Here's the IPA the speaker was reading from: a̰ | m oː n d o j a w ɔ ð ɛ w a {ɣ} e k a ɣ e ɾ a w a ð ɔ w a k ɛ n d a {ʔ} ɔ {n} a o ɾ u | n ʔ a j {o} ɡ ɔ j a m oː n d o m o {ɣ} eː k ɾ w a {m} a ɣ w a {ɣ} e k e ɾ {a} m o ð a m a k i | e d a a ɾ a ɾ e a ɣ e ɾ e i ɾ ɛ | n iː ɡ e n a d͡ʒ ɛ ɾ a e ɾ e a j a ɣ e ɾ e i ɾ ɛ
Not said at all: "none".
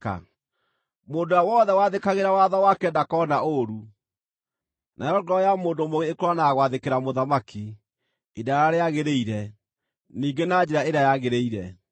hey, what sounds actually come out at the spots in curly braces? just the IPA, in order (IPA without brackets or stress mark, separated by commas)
ð, k, n, ɔ, ɣ, n, ð, a